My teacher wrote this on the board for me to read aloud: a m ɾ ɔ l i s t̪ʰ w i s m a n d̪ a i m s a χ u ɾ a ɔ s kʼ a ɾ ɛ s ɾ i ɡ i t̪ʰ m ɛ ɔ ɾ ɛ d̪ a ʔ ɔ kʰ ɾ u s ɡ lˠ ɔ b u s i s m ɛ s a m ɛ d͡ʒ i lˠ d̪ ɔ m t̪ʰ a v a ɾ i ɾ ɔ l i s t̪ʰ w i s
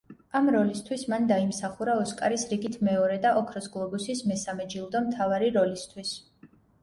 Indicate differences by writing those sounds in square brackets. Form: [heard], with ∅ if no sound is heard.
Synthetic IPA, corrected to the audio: a m ɾ ɔ l i s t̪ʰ w i s m a n d̪ a i m s a χ u ɾ a ɔ s kʼ a ɾ [i] s ɾ i ɡ i t̪ʰ m ɛ ɔ ɾ ɛ d̪ a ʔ ɔ kʰ ɾ [ɔ] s ɡ lˠ ɔ b u s i s m ɛ s a m ɛ d͡ʒ i lˠ d̪ ɔ m t̪ʰ a v a ɾ i ɾ ɔ l i s t̪ʰ w i s